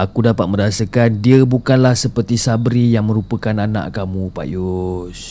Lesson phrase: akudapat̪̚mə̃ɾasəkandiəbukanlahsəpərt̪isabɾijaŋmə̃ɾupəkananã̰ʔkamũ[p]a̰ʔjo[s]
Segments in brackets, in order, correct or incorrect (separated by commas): correct, correct